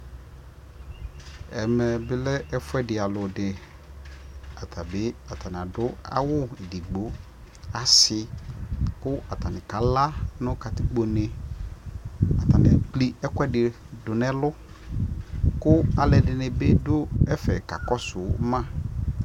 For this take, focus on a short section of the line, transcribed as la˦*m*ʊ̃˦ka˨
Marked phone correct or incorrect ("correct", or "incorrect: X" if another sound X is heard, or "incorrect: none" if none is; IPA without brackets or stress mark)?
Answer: incorrect: n